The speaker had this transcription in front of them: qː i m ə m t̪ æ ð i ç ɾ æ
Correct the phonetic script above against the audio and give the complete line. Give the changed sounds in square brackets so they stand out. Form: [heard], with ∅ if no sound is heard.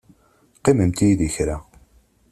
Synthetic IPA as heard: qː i m ə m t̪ [i] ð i ç ɾ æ